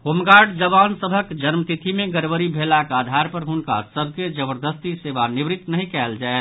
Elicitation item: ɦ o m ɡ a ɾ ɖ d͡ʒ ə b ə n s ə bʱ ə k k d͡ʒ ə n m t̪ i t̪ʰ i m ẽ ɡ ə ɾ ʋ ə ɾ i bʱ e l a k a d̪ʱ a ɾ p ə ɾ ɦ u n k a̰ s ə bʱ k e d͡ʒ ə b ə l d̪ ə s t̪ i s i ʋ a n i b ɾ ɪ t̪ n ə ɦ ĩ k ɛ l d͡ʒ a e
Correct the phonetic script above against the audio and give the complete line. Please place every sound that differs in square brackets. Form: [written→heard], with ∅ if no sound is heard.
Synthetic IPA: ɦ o m ɡ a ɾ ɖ d͡ʒ ə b [ə→a] n s ə bʱ ə k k d͡ʒ ə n m t̪ i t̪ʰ i m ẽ ɡ ə ɾ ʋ ə ɾ i bʱ e l a k a d̪ʱ a ɾ p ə ɾ ɦ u n k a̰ s ə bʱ k e d͡ʒ ə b ə [l→ɾ] d̪ ə s t̪ i s [i→e] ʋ a n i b ɾ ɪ t̪ n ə ɦ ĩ k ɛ l d͡ʒ a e